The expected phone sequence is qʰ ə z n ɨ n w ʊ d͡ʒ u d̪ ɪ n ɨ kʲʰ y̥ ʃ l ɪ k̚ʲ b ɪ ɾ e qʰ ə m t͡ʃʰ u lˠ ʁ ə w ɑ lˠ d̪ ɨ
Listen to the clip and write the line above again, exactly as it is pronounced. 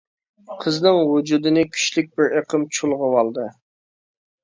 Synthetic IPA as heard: qʰ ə z n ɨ ŋ w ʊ d͡ʒ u d̪ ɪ n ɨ kʲʰ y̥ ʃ l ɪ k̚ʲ b ɪ ɾ e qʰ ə m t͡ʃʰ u lˠ ʁ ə w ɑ lˠ d̪ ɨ